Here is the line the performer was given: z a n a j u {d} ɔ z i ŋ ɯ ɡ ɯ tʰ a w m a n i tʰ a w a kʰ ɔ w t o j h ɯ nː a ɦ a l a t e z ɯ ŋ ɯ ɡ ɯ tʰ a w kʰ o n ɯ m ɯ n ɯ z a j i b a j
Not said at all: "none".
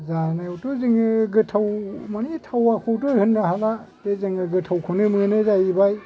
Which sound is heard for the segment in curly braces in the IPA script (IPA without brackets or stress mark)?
t